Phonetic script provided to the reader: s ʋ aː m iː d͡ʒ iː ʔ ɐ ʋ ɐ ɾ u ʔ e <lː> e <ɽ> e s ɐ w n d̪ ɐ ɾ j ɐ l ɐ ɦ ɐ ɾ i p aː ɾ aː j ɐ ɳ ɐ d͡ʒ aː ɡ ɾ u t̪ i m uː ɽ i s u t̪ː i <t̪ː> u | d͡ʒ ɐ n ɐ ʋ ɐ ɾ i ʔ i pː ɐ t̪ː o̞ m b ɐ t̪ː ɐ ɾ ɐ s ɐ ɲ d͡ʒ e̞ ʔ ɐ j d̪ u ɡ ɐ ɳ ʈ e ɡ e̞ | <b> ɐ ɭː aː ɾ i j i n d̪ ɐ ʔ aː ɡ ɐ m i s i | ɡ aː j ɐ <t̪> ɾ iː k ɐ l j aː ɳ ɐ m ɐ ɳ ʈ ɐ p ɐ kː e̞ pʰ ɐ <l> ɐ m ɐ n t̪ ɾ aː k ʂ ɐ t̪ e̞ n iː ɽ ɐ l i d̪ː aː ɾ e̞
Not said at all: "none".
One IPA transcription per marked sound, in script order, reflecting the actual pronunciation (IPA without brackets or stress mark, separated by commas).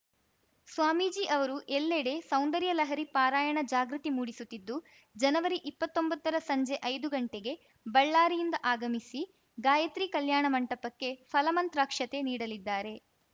lː, ɽ, d̪ː, b, t̪, l